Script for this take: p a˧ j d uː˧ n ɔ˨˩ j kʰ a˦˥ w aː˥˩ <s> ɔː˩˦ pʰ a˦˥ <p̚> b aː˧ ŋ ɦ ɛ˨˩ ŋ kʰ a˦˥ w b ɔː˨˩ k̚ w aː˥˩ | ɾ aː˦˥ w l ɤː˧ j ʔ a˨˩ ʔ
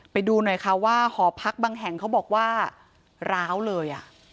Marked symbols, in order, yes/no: no, no

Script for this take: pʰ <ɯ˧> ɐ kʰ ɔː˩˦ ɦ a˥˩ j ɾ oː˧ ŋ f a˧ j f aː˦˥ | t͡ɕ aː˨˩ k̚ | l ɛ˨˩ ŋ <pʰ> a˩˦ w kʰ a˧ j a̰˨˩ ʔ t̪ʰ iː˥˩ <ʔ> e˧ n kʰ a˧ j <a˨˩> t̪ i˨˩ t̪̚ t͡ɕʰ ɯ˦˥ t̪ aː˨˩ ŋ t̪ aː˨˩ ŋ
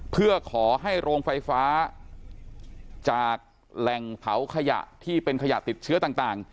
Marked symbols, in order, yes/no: no, yes, no, yes

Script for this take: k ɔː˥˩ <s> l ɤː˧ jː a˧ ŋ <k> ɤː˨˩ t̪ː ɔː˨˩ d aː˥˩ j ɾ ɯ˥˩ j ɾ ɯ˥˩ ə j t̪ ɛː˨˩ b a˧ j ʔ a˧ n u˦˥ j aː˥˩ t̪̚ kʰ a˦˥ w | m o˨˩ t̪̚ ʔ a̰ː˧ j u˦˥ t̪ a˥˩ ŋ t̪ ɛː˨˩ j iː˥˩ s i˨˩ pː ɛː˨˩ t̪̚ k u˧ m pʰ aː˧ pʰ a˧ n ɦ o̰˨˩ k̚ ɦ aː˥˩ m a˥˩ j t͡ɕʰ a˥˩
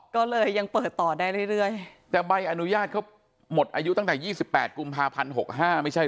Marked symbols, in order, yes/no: no, no

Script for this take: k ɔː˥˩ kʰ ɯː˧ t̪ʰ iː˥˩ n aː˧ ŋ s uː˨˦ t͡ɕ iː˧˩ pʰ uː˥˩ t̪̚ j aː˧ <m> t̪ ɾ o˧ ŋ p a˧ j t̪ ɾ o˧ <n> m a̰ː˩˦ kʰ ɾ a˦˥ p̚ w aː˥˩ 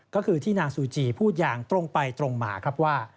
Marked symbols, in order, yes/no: no, no

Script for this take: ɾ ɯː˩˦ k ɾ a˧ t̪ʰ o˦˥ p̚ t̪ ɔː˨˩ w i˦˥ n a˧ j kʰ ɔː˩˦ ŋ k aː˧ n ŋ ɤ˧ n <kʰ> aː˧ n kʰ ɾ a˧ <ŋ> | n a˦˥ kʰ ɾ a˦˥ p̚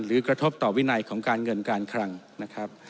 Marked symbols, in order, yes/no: no, yes

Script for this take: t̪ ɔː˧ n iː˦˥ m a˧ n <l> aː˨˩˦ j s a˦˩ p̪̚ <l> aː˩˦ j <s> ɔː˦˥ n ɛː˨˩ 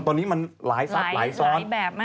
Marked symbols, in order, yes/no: yes, yes, yes

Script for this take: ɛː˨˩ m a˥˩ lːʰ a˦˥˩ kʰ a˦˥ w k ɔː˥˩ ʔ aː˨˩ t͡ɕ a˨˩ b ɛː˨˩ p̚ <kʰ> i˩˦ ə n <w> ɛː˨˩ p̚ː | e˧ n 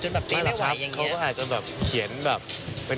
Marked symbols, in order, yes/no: yes, no

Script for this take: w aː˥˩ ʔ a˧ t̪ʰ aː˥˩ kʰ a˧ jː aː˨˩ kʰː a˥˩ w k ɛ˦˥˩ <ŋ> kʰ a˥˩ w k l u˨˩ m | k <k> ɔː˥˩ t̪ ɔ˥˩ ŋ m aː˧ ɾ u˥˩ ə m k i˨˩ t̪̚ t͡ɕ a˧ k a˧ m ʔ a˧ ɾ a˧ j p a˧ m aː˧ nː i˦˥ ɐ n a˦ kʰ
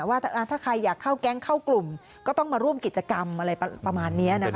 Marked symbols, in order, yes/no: yes, yes

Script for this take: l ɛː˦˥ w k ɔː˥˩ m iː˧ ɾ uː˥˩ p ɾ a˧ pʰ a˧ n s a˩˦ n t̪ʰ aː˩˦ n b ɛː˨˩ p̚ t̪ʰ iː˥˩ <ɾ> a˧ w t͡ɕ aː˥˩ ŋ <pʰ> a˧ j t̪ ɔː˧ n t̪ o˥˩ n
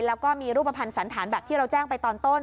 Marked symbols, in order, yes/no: yes, no

